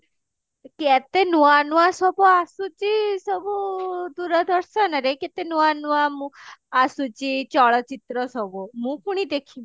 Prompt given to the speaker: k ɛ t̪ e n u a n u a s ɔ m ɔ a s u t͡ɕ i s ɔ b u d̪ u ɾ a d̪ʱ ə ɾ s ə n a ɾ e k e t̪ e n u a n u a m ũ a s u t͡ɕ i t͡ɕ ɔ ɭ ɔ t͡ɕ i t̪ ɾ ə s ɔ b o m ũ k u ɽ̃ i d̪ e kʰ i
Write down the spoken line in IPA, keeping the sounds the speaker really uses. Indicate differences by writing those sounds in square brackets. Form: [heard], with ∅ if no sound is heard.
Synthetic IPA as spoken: k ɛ t̪ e n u a n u a s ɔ [b] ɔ a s u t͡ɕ i s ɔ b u d̪ u ɾ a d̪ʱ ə ɾ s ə n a ɾ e k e t̪ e n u a n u a m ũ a s u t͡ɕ i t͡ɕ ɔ ɭ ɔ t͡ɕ i t̪ ɾ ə s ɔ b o m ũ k u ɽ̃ i d̪ e kʰ i